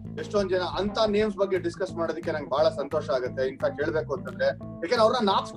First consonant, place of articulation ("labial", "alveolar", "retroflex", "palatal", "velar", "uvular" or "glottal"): retroflex